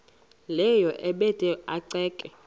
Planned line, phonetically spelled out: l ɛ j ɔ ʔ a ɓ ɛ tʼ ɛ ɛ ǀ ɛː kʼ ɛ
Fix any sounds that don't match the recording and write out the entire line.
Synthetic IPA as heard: l ɛ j ɔ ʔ ɛ ɓ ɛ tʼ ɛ a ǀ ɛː kʼ ɛ

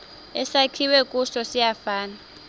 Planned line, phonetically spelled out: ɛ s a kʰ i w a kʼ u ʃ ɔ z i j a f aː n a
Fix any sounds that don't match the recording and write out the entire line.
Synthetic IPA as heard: ɛ s a kʰ i w ɛ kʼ u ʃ ɔ s i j a f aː n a

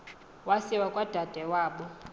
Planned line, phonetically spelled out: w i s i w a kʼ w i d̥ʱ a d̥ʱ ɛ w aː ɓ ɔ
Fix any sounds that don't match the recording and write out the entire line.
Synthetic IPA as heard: w a s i w a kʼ w a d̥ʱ a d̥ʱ ɛ w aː ɓ ɔ

